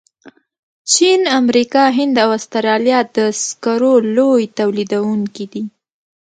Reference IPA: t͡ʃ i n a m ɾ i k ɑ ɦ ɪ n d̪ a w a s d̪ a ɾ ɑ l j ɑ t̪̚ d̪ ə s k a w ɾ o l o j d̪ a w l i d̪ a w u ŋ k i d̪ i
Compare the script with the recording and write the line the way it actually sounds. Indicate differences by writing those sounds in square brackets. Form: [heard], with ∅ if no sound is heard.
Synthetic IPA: t͡ʃ i n a m ɾ i k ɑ ɦ ɪ n d̪ a w a s [t̪] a ɾ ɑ l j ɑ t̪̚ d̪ ə s k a [∅] ɾ o l o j [t̪] a w l i d̪ a w u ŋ k i d̪ i